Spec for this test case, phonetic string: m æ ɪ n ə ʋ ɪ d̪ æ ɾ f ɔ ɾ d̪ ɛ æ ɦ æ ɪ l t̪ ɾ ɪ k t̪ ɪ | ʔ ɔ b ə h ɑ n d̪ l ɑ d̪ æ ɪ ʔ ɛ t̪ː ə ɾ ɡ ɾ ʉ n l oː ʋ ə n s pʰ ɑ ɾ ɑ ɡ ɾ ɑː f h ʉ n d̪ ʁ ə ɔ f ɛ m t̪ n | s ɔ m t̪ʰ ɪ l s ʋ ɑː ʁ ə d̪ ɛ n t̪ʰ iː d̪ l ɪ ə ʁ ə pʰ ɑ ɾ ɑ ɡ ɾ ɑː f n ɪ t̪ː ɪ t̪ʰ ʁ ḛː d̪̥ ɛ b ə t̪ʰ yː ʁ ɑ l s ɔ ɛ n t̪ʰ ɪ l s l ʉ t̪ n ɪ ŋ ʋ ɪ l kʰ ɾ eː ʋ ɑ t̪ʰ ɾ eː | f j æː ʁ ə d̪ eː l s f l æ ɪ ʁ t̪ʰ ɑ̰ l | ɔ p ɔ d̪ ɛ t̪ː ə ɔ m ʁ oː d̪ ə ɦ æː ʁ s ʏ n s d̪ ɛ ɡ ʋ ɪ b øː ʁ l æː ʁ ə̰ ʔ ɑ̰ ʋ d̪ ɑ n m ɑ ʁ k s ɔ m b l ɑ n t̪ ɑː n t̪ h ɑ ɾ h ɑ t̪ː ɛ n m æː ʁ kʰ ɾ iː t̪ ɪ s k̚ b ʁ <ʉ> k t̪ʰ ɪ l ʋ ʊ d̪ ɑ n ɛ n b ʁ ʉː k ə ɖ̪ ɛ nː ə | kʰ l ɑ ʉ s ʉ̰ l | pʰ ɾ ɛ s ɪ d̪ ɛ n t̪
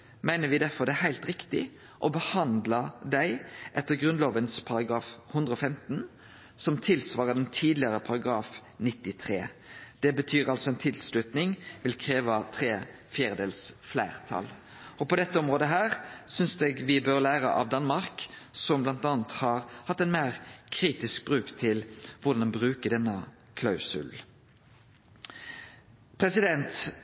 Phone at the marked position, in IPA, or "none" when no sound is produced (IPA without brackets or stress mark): ʉː